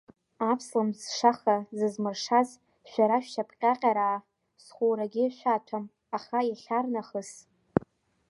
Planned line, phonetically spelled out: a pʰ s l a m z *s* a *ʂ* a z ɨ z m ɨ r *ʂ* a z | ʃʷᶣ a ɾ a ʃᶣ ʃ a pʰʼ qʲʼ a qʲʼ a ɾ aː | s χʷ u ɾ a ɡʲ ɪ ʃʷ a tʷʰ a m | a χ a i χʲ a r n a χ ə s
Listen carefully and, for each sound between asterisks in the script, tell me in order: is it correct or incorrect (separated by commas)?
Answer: incorrect, incorrect, correct